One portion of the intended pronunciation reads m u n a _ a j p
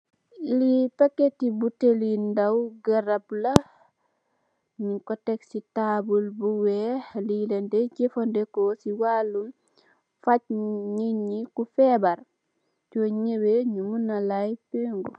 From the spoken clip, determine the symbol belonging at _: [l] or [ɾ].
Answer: l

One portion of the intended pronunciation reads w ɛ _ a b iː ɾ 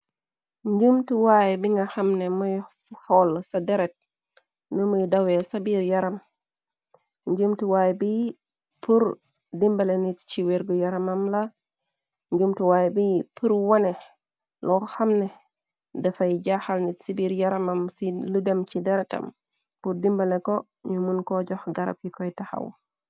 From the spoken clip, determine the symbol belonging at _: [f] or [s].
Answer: s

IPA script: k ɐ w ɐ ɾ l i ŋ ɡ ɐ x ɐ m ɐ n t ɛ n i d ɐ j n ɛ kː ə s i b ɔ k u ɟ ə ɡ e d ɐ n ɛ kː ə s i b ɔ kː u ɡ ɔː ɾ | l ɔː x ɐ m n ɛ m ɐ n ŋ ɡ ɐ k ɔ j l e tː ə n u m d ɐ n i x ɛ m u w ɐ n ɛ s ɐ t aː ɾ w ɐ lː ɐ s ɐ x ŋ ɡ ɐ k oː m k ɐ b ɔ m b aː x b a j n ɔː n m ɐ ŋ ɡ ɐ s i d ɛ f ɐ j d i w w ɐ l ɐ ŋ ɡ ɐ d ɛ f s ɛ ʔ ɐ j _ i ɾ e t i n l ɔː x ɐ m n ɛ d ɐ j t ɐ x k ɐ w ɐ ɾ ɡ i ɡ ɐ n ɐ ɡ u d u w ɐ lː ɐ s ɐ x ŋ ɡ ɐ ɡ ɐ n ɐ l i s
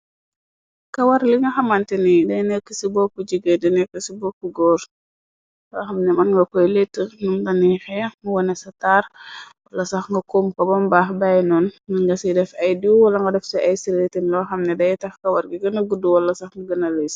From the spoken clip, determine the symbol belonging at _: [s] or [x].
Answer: s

